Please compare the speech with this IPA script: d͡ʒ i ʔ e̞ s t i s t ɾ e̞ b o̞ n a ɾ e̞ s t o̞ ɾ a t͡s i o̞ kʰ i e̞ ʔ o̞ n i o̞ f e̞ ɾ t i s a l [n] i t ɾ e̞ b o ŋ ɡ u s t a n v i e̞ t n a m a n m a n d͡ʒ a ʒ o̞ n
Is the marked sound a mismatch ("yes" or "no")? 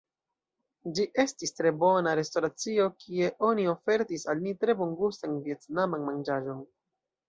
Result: yes